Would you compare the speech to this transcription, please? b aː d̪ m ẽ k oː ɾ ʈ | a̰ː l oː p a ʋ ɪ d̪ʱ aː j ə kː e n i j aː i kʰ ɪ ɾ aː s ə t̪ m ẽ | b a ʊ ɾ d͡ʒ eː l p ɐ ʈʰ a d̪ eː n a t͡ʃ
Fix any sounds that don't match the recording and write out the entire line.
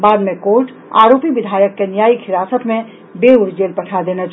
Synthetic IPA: b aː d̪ m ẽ k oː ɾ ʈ | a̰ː ɾ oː p i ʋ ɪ d̪ʱ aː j ə kː e n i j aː i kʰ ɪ ɾ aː s ə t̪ m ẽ | b e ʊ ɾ d͡ʒ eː l p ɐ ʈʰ a d̪ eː n a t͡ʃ

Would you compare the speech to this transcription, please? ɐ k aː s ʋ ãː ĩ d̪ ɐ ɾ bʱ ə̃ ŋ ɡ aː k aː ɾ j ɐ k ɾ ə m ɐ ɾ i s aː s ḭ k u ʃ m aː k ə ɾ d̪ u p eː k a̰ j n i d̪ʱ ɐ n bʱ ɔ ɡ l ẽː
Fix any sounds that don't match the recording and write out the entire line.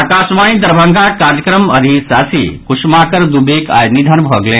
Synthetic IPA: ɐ k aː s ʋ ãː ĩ d̪ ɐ ɾ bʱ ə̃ ŋ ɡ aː k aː ɾ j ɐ k ɾ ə m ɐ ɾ i s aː s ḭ k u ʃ m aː k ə ɾ d̪ u b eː k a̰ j n i d̪ʱ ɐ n bʱ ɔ ɡ l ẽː

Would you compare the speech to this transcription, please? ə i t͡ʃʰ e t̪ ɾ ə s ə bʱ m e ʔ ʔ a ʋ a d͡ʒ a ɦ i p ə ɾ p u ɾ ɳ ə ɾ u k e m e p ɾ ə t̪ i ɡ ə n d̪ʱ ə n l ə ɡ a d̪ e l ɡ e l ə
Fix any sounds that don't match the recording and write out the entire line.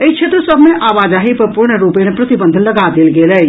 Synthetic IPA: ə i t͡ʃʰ e t̪ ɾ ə s ə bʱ m e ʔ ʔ a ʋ a d͡ʒ a ɦ i p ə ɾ p u ɾ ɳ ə ɾ u p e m e p ɾ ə t̪ i b ə n d̪ʱ ə n l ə ɡ a d̪ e l ɡ e l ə

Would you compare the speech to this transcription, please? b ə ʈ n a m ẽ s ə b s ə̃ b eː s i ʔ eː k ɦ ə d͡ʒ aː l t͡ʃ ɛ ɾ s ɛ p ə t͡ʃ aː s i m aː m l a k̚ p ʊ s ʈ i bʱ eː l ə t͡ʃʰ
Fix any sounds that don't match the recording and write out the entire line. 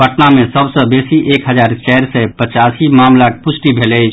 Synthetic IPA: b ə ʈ n a m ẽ s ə b s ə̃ b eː s i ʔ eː k ɦ ə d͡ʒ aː ɾ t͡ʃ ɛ ɾ s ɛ p ə t͡ʃ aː s i m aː m l a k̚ p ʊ s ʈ i bʱ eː l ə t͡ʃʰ

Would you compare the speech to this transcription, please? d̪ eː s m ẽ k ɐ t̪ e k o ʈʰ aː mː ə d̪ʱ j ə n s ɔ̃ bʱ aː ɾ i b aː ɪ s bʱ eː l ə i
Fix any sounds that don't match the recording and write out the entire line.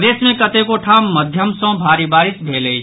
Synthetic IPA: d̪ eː s m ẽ k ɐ t̪ e k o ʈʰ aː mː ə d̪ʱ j ə m s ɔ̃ bʱ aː ɾ i b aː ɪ s bʱ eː l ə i

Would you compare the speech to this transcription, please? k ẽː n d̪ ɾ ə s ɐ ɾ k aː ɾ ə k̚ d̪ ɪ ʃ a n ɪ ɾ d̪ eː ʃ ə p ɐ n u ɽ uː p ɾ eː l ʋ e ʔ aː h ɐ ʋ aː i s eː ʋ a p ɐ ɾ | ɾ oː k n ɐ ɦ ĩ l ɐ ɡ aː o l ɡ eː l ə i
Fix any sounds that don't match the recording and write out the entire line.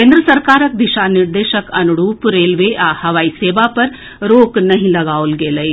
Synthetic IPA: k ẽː n d̪ ɾ ə s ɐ ɾ k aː ɾ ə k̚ d̪ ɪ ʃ a n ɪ ɾ d̪ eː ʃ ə k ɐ n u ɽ uː p ɾ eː l ʋ e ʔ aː h ɐ ʋ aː i s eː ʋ a p ɐ ɾ | ɾ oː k n ɐ ɦ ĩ l ɐ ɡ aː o l ɡ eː l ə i

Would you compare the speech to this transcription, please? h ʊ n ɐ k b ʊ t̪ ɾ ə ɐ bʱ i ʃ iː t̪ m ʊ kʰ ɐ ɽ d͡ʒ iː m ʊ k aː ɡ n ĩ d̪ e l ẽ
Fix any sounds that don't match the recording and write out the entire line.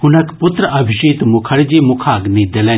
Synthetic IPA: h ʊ n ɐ k p ʊ t̪ ɾ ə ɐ bʱ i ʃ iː t̪ m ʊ kʰ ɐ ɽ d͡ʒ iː m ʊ kʰ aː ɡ n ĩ d̪ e l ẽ

